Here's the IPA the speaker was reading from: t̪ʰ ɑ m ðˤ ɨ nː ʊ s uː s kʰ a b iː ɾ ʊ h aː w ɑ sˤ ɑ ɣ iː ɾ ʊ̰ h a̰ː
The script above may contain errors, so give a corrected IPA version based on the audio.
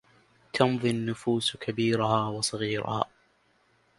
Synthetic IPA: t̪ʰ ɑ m ðˤ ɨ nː ʊ f uː s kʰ a b iː ɾ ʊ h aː w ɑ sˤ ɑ ɣ iː ɾ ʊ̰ h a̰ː

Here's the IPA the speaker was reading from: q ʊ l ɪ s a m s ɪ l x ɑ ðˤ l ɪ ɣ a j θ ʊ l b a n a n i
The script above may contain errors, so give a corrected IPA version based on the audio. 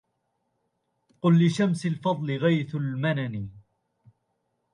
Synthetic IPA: q ʊ lː ɪ ʃ a m s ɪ l f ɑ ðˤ l ɪ ɣ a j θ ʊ l m a n a n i

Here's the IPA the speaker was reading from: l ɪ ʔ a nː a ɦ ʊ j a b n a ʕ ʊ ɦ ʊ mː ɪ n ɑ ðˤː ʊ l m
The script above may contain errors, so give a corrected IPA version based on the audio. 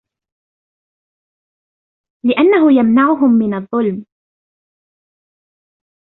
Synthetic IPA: l ɪ ʔ a nː a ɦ ʊ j a m n a ʕ ʊ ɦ ʊ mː ɪ n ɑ ðˤː ʊ l m

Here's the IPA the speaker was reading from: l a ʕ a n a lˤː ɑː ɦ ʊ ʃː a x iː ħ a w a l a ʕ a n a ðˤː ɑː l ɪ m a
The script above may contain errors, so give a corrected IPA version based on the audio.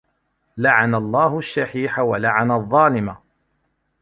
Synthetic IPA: l a ʕ a n a lˤː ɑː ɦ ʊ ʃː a ħ iː ħ a w a l a ʕ a n a ðˤː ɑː l ɪ m a

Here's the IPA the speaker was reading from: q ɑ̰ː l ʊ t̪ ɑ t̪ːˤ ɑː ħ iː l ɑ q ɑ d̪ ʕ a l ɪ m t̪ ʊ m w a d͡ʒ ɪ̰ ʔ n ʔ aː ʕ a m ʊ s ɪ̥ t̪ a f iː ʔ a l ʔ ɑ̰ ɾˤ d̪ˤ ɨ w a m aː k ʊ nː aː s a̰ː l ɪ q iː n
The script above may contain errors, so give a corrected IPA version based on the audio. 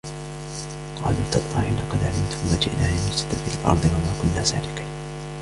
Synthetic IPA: q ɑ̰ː l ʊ t̪ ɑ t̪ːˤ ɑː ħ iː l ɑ q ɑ d̪ ʕ a l ɪ m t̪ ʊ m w a d͡ʒ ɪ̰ ʔ n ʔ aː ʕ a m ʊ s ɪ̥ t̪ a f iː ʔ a l ʔ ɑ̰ ɾˤ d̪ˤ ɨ w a m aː k ʊ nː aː s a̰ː l ɪ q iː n

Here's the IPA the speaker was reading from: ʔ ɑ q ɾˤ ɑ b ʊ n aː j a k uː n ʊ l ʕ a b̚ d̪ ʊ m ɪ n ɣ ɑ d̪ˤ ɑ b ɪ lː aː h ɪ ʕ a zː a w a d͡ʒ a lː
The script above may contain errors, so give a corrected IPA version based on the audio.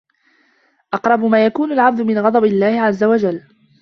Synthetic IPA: ʔ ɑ q ɾˤ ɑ b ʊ m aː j a k uː n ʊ l ʕ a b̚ d̪ ʊ m ɪ n ɣ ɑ d̪ˤ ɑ b ɪ lː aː h ɪ ʕ a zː a w a d͡ʒ a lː

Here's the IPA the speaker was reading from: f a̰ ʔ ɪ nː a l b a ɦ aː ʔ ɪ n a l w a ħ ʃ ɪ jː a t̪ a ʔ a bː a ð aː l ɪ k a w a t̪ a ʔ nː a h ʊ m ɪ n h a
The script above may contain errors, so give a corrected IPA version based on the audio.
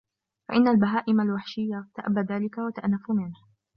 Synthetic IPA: f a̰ ʔ ɪ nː a l b a ɦ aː ʔ ɪ m a l w a ħ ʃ ɪ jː a t̪ a ʔ a bː a ð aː l ɪ k a w a t̪ a ʔ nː a f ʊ m ɪ n h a

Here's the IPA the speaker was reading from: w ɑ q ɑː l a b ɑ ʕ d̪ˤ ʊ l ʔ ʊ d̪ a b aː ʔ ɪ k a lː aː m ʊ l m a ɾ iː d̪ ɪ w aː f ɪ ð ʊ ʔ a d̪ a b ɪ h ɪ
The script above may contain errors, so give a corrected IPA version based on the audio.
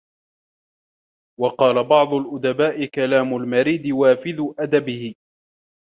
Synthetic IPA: w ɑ q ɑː l a b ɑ ʕ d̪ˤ ʊ l ʔ ʊ d̪ a b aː ʔ ɪ k a l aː m ʊ l m a ɾ iː d̪ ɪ w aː f ɪ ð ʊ ʔ a d̪ a b ɪ h ɪ

